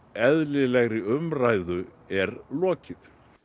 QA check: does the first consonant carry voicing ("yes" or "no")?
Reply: yes